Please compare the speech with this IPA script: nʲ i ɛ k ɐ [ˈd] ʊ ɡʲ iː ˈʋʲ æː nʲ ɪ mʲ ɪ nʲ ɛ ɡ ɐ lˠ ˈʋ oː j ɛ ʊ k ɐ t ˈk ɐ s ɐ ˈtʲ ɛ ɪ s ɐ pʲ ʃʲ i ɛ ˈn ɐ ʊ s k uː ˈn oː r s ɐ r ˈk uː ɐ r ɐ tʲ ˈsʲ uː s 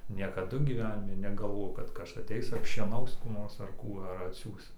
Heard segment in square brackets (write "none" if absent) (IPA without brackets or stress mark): d